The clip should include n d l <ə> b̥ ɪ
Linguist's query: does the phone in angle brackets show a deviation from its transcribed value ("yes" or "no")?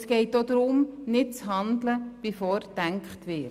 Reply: no